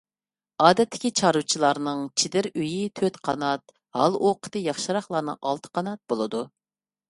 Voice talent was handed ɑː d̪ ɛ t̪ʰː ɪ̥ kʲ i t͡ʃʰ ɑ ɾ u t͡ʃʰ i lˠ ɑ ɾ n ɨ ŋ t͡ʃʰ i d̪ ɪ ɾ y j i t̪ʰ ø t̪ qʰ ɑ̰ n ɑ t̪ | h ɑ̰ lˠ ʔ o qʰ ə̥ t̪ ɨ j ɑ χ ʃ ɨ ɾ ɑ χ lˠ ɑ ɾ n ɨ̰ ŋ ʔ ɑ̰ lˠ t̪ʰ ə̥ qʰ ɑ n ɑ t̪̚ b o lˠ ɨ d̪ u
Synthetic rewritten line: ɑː d̪ ɛ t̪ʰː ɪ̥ kʲ i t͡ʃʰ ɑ ɾ u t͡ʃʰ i lˠ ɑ ɾ n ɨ ŋ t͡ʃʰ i d̪ ɪ ɾ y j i t̪ʰ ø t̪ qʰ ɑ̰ n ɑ t̪ | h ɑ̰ lˠ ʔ o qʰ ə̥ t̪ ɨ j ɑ χ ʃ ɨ ɾ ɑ χ lˠ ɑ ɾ n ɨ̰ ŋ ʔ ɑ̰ lˠ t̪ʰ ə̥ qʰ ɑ n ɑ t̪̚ b o lˠ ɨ d̪ u